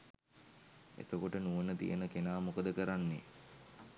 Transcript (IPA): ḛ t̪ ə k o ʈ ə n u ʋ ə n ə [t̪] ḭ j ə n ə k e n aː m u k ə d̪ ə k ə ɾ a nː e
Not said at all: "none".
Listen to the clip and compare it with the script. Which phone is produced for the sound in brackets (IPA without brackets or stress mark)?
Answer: t̪